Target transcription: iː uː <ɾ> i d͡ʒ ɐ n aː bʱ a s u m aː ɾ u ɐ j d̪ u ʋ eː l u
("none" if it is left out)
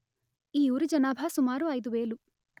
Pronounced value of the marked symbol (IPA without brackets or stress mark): ɾ